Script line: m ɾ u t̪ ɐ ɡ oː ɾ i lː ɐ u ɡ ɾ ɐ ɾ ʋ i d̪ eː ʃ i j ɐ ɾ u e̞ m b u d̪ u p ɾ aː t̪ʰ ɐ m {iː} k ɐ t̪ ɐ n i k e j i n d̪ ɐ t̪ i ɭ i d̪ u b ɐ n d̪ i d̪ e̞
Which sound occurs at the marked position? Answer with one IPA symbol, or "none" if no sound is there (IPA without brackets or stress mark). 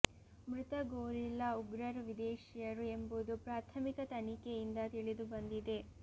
i